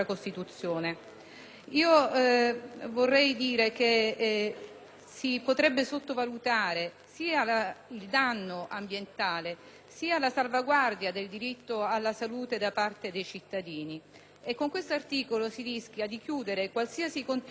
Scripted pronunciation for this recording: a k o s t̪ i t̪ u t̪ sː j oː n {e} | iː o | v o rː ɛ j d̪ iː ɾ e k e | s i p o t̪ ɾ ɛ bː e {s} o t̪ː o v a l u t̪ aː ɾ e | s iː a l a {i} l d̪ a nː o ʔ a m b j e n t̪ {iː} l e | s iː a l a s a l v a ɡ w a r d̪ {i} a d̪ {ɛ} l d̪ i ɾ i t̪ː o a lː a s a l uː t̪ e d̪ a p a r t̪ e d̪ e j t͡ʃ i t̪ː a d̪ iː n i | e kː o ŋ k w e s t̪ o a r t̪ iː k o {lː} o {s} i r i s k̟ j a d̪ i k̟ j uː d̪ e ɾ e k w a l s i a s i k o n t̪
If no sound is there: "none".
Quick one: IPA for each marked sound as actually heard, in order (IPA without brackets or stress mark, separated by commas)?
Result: e, s, i, aː, j, e, l, s